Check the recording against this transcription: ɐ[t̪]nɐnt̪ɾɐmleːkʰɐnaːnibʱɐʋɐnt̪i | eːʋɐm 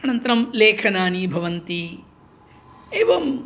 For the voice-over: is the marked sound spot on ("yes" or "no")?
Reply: no